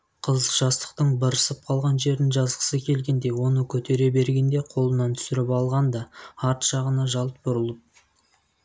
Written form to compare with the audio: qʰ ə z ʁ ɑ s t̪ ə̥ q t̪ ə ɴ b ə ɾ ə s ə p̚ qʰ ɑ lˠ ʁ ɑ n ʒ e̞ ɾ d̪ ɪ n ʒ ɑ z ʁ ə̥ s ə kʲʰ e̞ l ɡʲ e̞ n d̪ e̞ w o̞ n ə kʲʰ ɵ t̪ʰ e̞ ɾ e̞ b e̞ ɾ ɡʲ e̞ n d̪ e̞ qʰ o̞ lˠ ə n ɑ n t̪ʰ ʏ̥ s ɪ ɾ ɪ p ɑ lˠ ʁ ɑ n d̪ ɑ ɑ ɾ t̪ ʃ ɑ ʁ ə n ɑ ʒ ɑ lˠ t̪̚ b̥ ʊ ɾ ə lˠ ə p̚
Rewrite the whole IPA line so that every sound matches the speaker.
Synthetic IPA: qʰ ə z ʒ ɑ s t̪ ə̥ q t̪ ə ɴ b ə ɾ ə s ə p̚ qʰ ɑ lˠ ʁ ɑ n ʒ e̞ ɾ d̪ ɪ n ʒ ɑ z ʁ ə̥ s ə kʲʰ e̞ l ɡʲ e̞ n d̪ e̞ w o̞ n ə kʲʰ ɵ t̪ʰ e̞ ɾ e̞ b e̞ ɾ ɡʲ e̞ n d̪ e̞ qʰ o̞ lˠ ə n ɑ n t̪ʰ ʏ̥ s ɪ ɾ ɪ p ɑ lˠ ʁ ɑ n d̪ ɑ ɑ ɾ t̪ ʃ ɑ ʁ ə n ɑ ʒ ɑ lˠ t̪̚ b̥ ʊ ɾ ə lˠ ə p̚